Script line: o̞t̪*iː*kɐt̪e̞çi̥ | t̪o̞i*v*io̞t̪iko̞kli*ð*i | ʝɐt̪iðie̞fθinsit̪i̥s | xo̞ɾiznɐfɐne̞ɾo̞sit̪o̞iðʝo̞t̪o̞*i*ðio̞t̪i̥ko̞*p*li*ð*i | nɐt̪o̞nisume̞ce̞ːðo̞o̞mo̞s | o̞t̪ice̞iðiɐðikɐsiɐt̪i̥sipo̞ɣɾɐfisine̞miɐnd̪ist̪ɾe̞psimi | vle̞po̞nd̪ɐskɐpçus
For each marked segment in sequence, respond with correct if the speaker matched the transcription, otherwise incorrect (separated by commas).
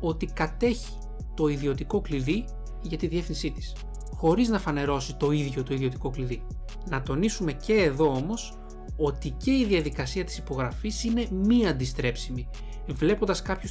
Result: incorrect, incorrect, correct, correct, incorrect, correct